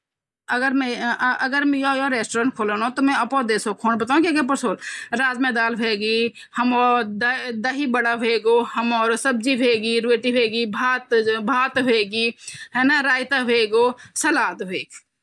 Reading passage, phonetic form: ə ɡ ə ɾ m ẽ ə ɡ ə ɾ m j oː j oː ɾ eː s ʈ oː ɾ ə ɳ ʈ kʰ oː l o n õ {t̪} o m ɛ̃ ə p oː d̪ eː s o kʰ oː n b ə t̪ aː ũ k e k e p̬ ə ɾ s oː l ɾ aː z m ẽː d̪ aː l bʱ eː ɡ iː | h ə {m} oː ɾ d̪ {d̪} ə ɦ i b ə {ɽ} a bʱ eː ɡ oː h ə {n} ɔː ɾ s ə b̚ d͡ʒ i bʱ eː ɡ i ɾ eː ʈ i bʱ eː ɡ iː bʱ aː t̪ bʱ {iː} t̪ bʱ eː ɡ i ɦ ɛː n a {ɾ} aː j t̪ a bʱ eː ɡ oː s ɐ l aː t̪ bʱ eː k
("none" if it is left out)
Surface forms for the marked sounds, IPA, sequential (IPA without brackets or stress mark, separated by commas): t̪, m, d̪, ɽ, m, aː, ɾ